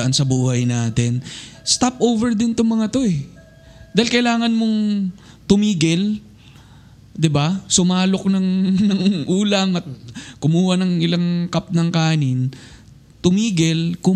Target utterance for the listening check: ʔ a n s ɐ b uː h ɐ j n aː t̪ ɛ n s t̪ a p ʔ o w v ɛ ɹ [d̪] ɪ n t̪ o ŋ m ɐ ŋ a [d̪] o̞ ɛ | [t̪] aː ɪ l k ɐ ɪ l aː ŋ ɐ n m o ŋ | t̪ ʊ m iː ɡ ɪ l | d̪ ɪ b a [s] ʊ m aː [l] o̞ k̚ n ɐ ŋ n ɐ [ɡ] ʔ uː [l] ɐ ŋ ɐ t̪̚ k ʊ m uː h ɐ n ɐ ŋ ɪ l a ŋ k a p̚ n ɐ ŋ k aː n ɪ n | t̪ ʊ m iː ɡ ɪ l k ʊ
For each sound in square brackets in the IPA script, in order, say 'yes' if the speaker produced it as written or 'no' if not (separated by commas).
yes, no, no, yes, yes, no, yes